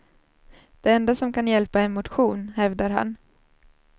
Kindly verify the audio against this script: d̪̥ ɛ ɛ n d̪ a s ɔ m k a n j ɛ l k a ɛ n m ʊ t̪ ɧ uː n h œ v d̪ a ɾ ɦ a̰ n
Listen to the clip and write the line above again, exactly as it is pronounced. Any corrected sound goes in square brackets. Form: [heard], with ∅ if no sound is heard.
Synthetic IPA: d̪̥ ɛ ɛ n d̪ a s ɔ m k a n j ɛ l [p] a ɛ n m ʊ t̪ ɧ uː n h [ɛ] v d̪ a ɾ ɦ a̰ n